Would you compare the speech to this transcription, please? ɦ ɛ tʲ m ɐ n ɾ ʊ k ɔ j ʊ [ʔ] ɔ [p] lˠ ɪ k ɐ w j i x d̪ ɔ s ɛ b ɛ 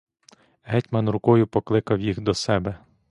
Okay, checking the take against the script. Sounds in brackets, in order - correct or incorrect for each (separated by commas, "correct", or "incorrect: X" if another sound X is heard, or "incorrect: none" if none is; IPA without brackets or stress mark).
incorrect: p, incorrect: k